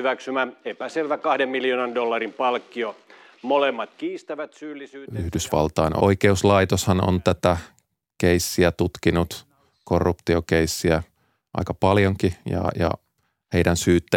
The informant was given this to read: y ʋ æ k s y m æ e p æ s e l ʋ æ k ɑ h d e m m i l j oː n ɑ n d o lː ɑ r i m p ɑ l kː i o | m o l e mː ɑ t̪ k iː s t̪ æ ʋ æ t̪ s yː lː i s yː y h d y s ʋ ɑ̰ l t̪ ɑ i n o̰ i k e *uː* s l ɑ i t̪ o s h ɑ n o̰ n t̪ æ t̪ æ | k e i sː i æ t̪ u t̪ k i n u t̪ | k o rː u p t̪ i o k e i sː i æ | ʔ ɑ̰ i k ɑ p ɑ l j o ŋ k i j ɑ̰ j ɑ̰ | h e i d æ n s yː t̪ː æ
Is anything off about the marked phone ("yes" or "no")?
yes